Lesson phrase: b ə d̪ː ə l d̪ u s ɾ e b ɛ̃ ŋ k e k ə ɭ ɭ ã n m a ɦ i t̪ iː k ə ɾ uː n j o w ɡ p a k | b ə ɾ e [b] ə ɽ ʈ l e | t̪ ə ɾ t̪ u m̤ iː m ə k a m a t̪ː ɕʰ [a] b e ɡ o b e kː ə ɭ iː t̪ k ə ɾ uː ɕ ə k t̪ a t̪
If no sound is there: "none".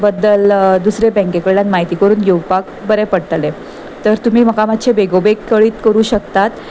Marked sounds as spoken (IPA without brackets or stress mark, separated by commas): p, e